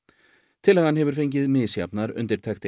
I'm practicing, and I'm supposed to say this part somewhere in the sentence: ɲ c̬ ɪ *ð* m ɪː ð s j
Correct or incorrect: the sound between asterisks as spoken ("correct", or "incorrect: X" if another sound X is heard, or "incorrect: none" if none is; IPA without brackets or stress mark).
correct